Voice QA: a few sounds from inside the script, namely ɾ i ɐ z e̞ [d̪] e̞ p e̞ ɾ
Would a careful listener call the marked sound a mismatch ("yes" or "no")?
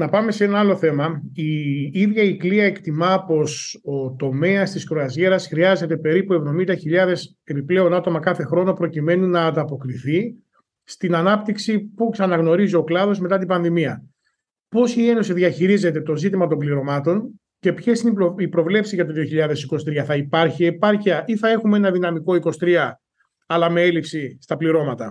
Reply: yes